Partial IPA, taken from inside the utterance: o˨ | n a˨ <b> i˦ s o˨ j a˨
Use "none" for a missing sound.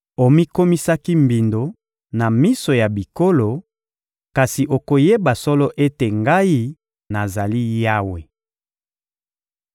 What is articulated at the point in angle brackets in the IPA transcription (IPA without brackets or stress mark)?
m